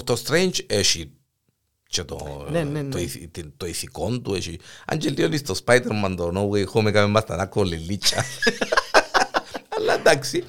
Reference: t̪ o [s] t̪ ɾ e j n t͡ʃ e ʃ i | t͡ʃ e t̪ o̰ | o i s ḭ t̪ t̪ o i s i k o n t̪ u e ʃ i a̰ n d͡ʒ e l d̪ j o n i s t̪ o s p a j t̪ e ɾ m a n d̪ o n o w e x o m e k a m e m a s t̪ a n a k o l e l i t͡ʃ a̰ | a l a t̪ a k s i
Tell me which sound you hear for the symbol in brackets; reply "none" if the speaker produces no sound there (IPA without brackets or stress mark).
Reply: s